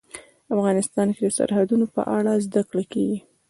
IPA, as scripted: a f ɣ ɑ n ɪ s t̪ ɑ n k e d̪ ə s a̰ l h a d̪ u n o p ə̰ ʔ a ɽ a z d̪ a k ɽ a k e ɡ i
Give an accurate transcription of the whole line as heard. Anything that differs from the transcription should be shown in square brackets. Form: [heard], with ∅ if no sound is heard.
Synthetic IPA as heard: a f ɣ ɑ n ɪ s t̪ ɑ n k e d̪ ə s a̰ [ɾ] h a d̪ u n o p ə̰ ʔ a ɽ a z d̪ a k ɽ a k e ɡ i